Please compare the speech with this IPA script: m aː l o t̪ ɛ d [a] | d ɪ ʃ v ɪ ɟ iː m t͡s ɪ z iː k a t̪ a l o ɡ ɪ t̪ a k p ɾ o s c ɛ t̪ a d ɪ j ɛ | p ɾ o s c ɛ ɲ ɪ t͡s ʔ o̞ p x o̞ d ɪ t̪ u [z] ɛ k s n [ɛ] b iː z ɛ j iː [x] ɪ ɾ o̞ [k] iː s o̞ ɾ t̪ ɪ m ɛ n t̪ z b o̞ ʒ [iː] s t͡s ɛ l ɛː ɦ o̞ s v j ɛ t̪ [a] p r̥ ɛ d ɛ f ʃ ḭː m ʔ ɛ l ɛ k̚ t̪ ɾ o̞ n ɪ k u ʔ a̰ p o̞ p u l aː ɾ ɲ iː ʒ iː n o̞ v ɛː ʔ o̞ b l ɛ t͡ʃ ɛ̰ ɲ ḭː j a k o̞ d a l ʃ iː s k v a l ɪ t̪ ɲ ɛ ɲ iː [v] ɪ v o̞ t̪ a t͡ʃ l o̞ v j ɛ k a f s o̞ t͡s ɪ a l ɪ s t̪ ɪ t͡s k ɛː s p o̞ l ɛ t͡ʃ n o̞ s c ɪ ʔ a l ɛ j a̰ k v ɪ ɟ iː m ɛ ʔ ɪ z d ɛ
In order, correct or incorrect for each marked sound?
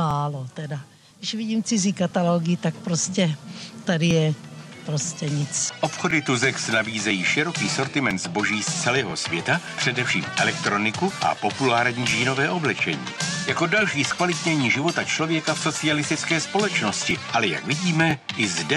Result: correct, correct, incorrect, incorrect, correct, correct, correct, incorrect

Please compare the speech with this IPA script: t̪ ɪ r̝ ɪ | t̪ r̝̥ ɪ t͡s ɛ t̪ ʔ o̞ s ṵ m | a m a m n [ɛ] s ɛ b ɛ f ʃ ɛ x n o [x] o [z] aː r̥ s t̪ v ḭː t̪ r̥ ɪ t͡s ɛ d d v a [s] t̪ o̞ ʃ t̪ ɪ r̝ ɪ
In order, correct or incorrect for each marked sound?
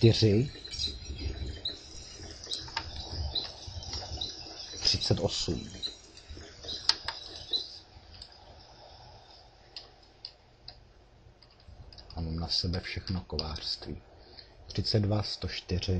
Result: incorrect, incorrect, incorrect, correct

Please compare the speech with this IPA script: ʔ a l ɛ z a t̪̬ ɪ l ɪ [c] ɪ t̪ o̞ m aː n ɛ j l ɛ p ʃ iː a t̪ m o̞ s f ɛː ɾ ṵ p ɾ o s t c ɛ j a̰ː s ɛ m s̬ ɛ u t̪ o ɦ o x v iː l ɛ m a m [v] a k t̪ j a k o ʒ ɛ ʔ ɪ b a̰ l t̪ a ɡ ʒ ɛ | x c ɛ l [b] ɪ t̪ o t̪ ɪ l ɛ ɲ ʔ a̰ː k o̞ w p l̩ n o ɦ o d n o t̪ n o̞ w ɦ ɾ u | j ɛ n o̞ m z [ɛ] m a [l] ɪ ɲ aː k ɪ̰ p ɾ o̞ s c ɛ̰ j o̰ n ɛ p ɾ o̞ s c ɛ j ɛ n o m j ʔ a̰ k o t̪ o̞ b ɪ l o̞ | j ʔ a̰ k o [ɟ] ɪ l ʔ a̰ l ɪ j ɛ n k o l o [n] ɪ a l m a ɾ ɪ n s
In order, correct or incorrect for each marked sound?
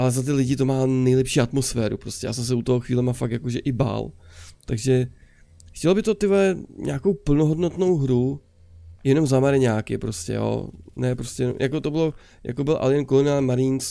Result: incorrect, incorrect, correct, incorrect, incorrect, incorrect, correct

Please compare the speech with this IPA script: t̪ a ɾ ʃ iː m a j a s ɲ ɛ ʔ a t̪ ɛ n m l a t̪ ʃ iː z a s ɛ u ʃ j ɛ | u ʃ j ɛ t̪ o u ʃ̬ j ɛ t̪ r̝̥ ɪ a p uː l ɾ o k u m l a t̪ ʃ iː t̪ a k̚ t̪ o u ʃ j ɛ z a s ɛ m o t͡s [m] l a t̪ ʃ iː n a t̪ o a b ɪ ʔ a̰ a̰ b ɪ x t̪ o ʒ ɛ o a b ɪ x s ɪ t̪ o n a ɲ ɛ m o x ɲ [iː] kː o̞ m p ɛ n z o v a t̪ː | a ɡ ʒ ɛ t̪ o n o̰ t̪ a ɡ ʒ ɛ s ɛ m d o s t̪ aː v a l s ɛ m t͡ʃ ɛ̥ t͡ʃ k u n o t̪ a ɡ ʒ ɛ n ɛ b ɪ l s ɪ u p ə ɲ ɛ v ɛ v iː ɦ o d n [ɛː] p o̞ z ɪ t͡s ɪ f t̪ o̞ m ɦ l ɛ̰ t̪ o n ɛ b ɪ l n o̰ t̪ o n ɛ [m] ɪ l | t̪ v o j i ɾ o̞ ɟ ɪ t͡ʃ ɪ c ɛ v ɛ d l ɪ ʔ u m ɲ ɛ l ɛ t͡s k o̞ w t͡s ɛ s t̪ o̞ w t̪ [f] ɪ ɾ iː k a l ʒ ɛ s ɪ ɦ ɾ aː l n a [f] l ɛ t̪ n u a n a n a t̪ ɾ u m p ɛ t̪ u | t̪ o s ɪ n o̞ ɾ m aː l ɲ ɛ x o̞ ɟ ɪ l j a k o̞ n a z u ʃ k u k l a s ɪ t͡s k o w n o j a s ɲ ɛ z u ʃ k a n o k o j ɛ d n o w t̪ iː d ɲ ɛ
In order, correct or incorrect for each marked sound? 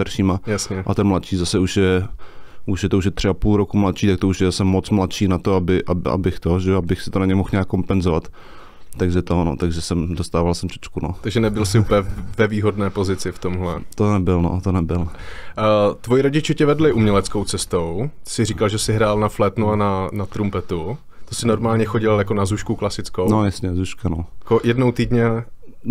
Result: correct, incorrect, correct, incorrect, incorrect, correct

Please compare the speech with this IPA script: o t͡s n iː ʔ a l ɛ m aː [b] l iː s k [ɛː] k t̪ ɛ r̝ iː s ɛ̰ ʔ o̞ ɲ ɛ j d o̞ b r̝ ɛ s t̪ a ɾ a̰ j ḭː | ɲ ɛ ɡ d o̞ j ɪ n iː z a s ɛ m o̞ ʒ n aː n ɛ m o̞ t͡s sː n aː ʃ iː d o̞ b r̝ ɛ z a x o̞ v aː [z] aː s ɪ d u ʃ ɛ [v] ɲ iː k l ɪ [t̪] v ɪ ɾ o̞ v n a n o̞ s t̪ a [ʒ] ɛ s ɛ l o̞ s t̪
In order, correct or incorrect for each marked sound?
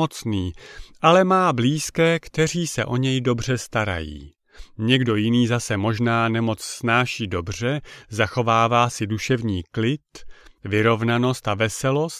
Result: correct, correct, incorrect, correct, correct, incorrect

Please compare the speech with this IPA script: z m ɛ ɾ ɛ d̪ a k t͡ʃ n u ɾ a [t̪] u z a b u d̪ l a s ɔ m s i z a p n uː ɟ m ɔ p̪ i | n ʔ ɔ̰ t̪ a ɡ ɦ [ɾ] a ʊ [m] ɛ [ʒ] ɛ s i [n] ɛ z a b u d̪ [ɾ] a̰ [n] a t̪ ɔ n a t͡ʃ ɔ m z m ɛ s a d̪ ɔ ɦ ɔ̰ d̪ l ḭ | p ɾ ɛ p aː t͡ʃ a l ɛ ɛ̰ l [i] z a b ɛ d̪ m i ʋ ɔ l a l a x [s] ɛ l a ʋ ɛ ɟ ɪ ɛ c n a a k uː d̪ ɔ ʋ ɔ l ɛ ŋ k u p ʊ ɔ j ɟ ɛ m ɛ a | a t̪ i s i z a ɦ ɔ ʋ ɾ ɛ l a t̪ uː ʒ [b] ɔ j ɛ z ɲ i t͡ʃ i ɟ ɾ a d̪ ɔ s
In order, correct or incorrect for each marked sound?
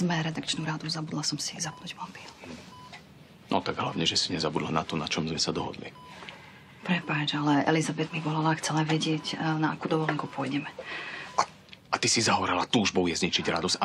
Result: incorrect, incorrect, incorrect, correct, incorrect, incorrect, correct, correct, incorrect, correct

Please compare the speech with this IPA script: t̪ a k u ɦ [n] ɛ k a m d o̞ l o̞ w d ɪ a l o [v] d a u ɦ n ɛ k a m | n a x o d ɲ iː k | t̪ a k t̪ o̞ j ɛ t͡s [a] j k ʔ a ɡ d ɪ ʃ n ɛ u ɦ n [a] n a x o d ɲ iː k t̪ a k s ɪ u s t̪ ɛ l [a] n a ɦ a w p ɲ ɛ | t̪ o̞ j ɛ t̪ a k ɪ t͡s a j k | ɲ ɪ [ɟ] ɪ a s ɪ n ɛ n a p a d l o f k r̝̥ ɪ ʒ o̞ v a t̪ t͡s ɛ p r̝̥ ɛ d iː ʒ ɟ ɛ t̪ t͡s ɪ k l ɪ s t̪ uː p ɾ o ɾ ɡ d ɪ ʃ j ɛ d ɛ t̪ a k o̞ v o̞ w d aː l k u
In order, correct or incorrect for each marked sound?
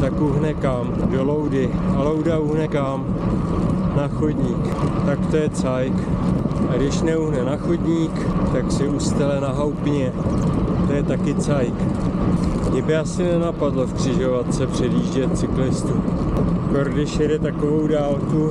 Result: correct, incorrect, correct, incorrect, incorrect, incorrect

